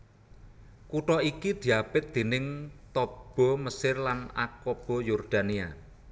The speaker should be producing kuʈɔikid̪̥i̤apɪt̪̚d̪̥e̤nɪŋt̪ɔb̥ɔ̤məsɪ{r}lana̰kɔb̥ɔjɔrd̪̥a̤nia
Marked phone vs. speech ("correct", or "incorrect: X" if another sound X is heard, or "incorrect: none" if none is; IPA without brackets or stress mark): correct